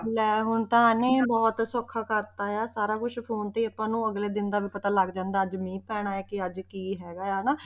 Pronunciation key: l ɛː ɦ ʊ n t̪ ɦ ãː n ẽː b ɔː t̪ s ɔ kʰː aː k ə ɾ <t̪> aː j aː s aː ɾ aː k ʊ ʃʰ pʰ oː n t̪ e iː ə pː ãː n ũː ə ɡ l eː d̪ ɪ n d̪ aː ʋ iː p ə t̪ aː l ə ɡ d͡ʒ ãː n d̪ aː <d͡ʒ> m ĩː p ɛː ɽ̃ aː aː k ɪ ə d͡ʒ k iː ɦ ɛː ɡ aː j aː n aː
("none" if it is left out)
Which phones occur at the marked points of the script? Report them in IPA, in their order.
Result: t̪, d͡ʒ

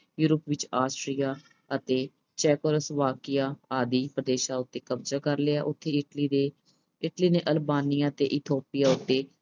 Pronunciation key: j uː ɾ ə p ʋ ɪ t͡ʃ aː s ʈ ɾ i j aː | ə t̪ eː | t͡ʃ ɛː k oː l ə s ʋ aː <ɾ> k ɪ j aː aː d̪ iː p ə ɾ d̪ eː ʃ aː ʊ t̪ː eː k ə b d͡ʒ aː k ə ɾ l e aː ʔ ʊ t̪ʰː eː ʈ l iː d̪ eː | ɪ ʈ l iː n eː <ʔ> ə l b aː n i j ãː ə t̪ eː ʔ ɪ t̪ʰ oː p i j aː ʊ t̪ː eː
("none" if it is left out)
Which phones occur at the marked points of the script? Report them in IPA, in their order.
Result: none, ʔ

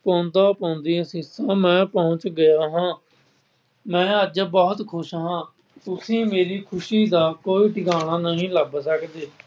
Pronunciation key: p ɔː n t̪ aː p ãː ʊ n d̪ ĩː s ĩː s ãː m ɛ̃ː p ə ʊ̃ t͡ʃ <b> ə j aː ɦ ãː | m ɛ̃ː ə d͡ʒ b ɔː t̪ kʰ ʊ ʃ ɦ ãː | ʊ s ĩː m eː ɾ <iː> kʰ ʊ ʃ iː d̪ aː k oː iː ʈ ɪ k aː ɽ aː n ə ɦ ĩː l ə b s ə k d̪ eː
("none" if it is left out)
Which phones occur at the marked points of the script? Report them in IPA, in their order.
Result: ɡ, iː

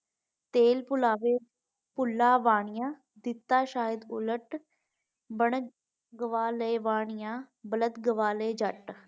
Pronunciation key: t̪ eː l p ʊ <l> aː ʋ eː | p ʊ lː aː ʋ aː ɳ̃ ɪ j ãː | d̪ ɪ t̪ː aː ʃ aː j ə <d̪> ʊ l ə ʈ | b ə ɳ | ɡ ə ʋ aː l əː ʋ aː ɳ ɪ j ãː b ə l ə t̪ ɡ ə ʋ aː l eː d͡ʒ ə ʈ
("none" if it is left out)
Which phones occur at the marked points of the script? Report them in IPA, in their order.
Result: l, d̪

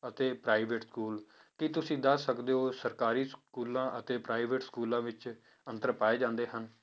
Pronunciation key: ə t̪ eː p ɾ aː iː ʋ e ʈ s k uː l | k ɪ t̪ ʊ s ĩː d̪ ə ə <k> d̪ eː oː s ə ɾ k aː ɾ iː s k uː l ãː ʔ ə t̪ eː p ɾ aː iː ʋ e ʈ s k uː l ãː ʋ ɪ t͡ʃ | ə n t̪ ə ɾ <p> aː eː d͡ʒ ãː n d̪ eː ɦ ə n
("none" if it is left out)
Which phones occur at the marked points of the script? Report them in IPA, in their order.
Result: k, p

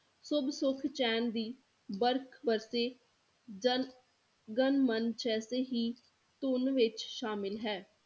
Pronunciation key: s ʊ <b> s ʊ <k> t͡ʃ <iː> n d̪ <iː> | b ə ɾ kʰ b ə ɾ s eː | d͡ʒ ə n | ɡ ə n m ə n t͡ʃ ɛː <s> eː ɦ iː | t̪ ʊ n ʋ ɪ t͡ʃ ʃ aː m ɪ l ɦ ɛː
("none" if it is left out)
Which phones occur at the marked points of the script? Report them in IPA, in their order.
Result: b, kʰ, ɛː, iː, s

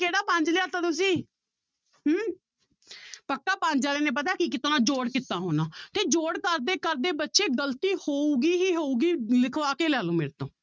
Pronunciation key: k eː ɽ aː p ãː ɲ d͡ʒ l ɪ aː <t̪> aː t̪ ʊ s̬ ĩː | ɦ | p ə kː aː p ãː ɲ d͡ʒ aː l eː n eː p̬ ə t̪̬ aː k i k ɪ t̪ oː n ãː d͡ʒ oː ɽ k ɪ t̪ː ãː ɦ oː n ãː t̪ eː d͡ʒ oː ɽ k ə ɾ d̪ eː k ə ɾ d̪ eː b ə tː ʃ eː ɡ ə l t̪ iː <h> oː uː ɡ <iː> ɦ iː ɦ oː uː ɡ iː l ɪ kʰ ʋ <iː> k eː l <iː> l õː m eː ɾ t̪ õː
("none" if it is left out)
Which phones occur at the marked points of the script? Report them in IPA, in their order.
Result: t̪, h, iː, aː, ɛː

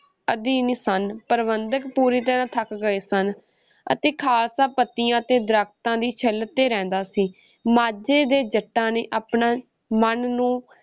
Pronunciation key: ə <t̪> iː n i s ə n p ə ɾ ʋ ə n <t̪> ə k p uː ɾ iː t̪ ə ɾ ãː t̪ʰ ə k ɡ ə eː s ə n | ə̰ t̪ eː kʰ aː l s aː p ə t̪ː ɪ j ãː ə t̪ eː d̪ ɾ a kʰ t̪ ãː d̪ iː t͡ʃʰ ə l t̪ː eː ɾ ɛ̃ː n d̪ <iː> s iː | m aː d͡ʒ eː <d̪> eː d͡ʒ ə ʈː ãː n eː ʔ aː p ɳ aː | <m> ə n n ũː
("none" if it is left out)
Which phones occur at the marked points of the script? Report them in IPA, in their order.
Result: d̪, d̪, aː, d̪, m

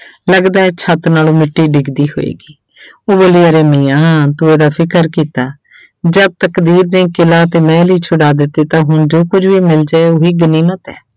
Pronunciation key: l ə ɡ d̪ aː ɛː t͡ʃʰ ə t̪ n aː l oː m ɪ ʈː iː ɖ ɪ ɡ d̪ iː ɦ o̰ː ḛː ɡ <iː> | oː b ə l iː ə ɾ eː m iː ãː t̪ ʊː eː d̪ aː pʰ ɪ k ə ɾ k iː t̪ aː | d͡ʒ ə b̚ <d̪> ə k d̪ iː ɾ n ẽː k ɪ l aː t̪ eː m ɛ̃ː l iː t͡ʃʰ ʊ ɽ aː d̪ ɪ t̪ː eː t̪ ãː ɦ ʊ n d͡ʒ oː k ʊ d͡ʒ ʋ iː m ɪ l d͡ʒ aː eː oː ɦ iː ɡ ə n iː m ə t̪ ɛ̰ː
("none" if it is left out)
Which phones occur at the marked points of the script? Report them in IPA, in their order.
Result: iː, t̪

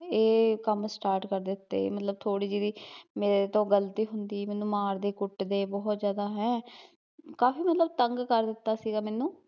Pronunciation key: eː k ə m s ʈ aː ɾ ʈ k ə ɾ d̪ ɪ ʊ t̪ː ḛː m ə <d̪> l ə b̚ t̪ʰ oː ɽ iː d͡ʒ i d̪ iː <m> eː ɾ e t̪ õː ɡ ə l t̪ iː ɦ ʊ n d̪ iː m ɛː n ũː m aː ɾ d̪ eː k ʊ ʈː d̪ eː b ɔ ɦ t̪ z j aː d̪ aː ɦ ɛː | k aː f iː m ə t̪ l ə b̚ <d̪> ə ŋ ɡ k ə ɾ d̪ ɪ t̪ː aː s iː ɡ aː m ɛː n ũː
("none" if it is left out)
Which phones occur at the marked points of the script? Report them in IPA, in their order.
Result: t̪, m, t̪

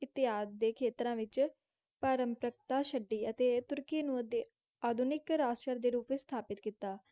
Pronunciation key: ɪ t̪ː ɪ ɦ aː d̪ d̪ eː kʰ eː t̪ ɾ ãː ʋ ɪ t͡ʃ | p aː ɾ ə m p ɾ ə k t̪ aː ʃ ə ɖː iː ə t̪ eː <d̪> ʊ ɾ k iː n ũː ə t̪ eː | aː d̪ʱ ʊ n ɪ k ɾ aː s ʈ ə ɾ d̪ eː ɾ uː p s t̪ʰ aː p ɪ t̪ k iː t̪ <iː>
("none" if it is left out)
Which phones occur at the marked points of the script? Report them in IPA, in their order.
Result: t̪, aː

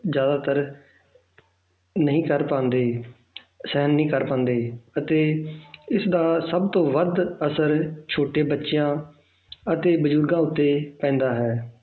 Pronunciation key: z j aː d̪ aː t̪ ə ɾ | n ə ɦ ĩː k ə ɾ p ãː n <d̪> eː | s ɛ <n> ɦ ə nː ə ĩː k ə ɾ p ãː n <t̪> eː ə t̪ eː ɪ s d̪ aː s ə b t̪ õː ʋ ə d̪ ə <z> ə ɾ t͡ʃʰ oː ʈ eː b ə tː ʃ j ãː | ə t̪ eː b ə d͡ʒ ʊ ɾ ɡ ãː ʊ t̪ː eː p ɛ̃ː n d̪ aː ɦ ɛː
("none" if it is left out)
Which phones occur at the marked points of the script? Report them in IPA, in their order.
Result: d̪, none, d̪, s

